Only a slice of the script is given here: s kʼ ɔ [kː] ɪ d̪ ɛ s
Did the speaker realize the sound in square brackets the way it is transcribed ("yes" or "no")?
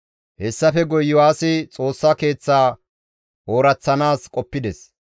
no